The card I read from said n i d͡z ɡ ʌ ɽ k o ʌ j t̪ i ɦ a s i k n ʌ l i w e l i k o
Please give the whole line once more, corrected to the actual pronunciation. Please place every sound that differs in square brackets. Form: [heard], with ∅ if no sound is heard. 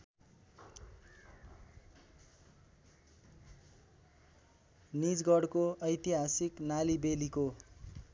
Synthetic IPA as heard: n i d͡z ɡ ʌ ɽ k o ʌ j t̪ i ɦ a s i k n [a] l i [b] e l i k o